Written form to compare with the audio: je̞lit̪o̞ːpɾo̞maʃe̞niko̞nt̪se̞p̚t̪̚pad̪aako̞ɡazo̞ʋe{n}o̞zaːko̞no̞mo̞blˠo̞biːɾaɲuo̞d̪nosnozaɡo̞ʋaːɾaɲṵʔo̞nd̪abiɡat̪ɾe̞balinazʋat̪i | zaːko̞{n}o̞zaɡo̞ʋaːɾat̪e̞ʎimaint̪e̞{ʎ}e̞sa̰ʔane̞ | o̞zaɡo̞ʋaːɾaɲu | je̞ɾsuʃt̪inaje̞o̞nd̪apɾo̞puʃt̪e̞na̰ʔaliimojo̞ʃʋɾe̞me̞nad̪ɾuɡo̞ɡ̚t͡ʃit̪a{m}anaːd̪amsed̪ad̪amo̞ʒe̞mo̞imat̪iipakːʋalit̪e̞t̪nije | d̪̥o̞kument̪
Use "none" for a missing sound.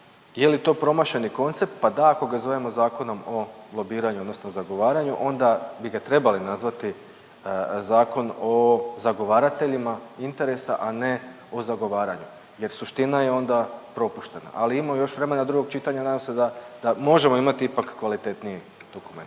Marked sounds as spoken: m, n, ɾ, ɲ

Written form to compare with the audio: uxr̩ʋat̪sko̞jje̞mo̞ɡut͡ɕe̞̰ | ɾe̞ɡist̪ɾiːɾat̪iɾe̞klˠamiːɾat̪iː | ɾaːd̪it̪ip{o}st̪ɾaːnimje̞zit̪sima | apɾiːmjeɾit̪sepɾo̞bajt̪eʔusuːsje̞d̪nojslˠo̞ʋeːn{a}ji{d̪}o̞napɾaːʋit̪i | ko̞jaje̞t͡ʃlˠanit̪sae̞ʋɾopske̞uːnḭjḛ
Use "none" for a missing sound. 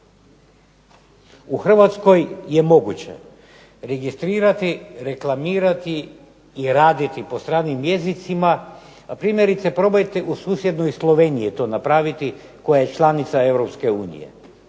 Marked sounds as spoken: o, i, t̪

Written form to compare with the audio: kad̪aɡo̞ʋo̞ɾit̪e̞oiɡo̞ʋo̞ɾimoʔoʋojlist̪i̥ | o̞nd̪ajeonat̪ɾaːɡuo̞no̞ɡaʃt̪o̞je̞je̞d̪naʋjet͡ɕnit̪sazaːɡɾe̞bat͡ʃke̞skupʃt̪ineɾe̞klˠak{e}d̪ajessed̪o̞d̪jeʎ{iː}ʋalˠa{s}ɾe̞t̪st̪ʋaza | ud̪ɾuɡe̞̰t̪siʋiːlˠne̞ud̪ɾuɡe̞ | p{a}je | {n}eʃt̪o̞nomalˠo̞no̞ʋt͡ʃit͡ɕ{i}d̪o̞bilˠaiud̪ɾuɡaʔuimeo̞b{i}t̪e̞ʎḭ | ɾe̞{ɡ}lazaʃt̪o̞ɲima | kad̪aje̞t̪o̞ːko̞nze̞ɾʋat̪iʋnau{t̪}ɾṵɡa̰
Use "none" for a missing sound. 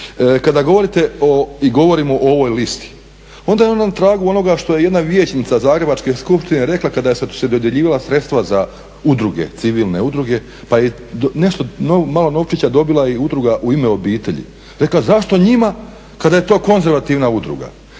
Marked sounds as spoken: a, iː, s, a, n, a, iː, k, d̪

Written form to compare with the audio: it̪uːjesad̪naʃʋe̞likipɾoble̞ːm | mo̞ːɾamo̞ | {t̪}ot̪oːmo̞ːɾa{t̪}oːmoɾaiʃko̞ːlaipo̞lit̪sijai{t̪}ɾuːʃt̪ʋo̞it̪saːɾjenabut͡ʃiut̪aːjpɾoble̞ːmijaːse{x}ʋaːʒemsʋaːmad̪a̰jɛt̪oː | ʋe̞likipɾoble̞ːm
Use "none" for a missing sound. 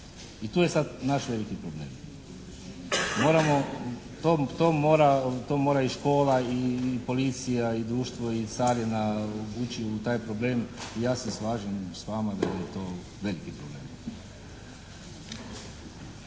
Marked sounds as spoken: t̪, t̪, d̪, s

